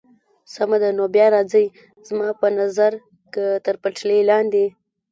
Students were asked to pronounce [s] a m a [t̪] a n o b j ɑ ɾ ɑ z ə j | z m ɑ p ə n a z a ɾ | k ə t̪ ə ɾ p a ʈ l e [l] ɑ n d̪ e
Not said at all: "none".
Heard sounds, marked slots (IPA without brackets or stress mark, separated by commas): s, d̪, l